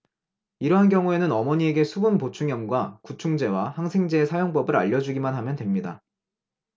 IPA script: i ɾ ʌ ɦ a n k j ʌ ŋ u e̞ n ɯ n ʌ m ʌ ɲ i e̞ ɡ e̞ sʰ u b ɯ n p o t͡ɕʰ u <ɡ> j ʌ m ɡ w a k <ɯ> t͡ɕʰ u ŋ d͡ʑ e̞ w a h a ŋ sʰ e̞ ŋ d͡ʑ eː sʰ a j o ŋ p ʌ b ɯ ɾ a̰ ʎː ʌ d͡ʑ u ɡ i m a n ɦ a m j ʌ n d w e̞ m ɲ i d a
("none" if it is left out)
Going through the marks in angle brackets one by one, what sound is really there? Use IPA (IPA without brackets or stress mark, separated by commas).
ŋ, u